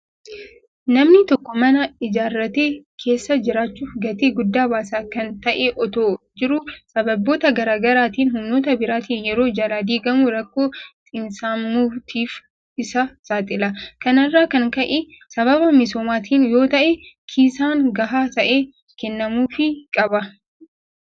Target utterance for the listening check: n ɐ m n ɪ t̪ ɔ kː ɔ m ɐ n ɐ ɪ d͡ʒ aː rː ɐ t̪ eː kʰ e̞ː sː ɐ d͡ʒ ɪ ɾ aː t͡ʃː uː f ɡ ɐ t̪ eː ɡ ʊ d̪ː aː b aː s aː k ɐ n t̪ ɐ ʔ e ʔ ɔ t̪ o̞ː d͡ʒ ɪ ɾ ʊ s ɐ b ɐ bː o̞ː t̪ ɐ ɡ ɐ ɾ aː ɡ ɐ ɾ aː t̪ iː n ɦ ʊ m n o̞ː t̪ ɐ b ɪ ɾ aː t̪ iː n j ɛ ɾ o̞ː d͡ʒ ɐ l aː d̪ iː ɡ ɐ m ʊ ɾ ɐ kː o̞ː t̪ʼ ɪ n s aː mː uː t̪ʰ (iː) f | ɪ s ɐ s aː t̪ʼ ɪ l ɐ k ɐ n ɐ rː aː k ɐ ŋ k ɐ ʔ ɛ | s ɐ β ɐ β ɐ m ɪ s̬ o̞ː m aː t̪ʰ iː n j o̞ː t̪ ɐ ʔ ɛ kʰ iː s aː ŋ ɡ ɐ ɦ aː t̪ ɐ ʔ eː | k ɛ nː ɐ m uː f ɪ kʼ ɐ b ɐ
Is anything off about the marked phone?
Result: no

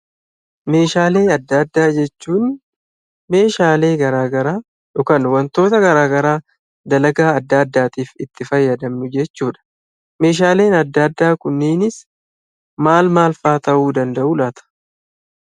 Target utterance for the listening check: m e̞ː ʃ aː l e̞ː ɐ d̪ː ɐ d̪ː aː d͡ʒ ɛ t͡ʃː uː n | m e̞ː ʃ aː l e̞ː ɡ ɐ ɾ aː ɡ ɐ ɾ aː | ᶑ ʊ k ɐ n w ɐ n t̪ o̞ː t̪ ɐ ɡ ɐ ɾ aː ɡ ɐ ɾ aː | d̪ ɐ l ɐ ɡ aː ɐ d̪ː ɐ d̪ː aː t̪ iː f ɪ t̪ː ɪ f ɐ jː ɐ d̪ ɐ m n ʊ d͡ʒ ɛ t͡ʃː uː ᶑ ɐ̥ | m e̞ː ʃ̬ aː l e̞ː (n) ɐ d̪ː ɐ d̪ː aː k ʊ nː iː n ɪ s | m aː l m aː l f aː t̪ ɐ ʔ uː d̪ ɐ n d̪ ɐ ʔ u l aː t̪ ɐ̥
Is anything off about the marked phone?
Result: no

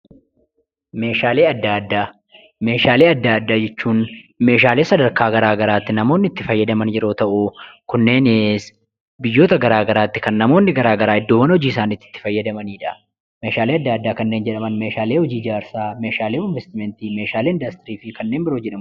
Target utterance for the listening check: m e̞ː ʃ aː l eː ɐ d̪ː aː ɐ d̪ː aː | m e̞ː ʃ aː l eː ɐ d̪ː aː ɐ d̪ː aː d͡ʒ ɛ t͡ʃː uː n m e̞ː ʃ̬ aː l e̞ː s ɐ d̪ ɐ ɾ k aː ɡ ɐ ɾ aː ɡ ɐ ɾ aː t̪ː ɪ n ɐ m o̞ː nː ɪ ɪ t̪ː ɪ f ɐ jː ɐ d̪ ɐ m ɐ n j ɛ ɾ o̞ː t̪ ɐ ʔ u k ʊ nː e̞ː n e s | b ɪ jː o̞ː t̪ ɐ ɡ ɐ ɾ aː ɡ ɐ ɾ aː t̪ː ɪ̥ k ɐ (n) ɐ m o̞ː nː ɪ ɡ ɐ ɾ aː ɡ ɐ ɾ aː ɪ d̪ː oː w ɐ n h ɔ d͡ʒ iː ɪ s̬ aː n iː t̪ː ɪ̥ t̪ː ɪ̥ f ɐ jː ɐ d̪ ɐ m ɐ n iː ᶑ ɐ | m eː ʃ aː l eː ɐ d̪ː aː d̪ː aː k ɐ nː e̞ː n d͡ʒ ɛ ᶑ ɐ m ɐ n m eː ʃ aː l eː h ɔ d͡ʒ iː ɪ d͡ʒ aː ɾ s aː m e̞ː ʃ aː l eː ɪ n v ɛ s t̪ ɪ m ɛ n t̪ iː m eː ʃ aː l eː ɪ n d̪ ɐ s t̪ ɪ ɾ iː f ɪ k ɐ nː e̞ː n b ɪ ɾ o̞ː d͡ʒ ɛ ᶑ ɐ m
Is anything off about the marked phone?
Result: yes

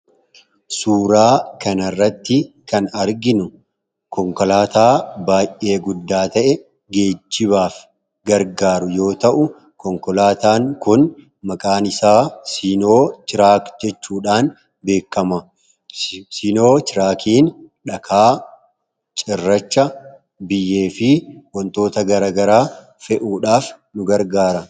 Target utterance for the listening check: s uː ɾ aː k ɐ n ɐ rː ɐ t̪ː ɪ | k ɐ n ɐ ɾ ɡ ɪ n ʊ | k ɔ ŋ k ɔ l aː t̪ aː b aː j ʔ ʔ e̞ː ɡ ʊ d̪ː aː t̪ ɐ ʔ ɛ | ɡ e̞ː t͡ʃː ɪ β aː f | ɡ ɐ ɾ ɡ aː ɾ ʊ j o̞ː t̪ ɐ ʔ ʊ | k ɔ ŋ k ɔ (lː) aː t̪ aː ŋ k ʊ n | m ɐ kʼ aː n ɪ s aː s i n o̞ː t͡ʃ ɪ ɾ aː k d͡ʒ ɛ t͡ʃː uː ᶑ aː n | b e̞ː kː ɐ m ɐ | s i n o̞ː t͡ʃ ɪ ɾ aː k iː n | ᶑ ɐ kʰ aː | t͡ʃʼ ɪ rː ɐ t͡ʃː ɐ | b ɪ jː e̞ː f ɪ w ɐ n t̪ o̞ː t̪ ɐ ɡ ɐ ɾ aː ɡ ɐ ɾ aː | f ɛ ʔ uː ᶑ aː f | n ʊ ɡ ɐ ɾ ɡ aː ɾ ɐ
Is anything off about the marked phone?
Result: yes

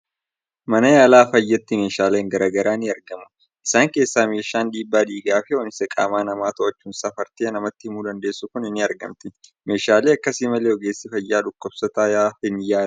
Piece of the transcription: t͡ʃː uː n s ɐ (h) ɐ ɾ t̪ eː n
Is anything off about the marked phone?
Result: yes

